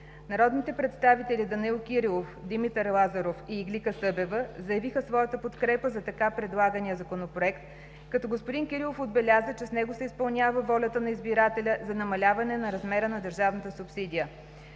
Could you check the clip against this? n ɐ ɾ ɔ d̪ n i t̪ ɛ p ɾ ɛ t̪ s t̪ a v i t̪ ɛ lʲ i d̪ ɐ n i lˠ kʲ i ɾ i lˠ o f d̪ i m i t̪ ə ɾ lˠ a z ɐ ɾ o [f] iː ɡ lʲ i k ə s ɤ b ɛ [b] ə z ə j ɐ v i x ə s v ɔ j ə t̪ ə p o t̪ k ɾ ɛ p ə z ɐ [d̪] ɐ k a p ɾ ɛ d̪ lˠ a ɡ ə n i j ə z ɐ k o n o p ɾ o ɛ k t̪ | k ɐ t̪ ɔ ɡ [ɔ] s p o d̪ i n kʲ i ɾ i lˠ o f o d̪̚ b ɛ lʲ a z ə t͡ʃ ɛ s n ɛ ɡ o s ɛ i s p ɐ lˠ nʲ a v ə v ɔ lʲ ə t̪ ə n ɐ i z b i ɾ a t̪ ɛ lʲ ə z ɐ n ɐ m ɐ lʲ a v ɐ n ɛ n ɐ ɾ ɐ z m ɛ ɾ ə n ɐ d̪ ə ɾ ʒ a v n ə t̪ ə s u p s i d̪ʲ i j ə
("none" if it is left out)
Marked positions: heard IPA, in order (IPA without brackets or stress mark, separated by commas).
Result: f, v, t̪, o